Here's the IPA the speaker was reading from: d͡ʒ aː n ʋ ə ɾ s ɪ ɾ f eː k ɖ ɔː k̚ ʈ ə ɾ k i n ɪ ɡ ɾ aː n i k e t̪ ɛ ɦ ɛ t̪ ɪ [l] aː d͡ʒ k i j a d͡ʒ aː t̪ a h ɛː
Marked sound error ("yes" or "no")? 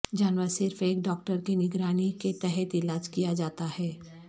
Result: no